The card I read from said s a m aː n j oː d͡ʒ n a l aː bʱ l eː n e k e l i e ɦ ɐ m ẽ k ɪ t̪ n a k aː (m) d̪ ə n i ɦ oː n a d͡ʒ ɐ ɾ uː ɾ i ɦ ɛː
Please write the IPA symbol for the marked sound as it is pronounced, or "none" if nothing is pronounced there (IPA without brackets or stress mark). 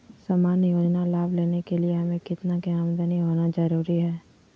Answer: m